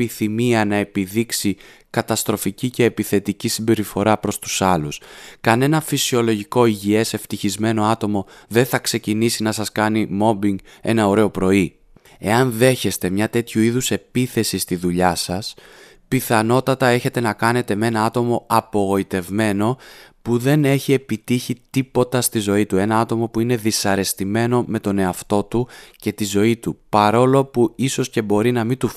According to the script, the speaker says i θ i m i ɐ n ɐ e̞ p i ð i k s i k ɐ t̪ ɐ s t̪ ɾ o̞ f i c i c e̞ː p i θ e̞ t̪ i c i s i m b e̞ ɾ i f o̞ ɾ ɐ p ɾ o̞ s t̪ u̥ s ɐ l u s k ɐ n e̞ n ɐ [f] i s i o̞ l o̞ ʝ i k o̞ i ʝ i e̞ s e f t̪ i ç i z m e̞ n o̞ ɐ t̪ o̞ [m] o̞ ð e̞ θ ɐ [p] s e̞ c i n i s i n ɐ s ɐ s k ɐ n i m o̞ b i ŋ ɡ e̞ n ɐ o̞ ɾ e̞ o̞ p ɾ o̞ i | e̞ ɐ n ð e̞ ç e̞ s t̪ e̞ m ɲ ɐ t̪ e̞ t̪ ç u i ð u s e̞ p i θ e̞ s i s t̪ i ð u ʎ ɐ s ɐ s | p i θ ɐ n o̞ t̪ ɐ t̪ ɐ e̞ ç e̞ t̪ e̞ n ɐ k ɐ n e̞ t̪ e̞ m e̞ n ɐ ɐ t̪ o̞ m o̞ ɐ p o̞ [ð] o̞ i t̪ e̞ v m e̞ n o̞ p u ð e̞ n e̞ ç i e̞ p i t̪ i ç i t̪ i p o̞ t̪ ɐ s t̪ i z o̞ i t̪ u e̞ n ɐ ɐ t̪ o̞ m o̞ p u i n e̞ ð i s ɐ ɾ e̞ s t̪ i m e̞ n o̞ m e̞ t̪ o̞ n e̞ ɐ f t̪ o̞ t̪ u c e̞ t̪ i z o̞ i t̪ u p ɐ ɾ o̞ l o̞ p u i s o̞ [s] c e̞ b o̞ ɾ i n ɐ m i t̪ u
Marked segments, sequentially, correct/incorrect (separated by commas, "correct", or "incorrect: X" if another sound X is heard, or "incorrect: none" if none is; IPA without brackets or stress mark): correct, correct, incorrect: k, incorrect: ɣ, correct